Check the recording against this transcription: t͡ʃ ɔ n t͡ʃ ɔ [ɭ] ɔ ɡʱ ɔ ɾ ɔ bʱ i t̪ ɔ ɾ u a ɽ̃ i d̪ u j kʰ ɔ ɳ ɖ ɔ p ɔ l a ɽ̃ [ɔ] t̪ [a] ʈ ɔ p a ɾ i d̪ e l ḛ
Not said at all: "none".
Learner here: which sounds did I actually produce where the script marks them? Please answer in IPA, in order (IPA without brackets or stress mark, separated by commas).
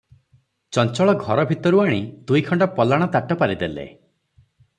ɭ, ɔ, a